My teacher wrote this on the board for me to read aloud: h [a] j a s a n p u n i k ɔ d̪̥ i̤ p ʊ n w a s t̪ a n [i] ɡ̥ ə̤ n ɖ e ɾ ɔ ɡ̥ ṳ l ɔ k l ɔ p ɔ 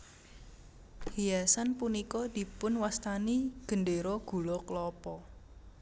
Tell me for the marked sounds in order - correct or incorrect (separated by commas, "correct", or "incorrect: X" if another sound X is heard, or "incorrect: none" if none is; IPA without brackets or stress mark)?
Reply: incorrect: i, correct